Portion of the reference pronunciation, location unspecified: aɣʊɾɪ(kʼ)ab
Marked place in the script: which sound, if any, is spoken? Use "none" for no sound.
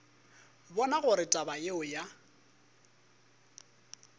tʼ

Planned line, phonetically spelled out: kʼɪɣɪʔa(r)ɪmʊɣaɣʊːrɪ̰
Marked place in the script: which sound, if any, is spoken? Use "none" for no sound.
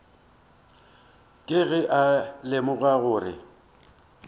l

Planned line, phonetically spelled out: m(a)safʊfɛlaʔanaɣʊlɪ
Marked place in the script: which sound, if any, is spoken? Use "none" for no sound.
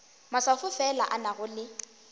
a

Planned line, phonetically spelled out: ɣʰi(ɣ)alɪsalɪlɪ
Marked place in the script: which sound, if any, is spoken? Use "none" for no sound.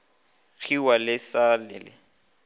w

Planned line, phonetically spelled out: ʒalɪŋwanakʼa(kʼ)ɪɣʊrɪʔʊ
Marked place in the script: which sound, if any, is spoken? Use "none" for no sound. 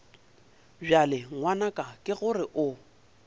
kʼ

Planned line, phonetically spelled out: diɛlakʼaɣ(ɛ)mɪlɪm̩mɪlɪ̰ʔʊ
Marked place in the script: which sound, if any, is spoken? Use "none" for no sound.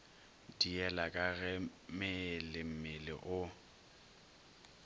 ɛ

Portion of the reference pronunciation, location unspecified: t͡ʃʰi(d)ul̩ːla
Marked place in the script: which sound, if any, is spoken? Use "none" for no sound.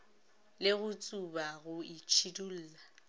d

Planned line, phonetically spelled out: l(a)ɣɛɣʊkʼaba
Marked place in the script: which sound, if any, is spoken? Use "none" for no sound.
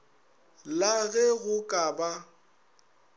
a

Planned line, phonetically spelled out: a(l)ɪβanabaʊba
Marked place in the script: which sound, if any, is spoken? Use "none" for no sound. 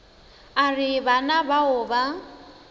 r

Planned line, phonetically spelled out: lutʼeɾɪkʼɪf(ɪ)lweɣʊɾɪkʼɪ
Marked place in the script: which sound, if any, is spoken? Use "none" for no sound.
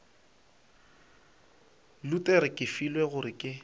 i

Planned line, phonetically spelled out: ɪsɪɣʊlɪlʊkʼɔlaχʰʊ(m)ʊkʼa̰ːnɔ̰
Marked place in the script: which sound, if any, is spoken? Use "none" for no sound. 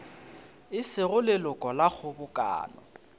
b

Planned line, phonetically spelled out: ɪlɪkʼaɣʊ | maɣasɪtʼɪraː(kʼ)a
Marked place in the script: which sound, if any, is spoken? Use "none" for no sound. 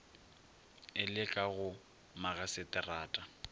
tʼ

